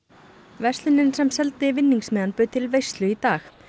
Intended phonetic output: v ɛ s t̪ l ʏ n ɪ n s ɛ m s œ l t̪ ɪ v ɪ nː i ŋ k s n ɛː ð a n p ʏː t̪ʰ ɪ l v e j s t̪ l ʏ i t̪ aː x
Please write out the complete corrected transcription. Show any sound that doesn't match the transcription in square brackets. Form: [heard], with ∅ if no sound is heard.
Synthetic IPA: v ɛ s t̪ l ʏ n ɪ n s ɛ m s [ɛ] l t̪ ɪ v ɪ nː i ŋ k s [m] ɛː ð a n p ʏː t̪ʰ ɪ l v e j s t̪ l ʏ i t̪ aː x